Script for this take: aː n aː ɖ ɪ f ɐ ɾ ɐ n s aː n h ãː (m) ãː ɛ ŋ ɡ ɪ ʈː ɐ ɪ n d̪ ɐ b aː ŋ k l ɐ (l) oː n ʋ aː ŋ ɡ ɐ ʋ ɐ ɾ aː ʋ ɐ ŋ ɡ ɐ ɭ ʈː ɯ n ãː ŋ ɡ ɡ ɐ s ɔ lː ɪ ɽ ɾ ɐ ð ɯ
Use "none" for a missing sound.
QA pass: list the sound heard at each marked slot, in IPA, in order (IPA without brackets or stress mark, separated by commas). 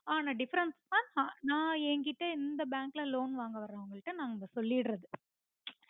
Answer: n, l